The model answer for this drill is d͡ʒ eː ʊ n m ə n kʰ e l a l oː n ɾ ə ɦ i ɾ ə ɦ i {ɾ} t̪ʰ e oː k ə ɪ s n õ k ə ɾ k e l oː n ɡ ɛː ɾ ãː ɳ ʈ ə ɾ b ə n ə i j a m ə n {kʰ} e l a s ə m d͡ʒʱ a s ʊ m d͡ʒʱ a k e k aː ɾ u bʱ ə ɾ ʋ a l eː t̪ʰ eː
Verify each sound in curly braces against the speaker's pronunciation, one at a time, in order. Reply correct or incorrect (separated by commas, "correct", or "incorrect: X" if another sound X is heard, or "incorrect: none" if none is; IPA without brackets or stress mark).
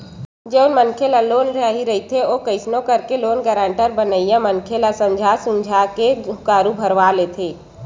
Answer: incorrect: none, correct